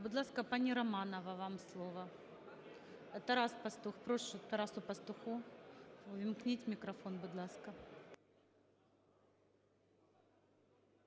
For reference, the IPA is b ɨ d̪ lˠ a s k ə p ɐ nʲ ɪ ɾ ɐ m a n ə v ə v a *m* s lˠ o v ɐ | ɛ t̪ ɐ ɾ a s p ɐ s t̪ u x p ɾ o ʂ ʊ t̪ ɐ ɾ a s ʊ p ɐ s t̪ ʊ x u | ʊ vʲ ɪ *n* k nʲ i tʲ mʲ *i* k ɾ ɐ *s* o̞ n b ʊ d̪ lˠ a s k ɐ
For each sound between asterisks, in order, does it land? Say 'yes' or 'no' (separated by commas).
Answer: yes, no, no, no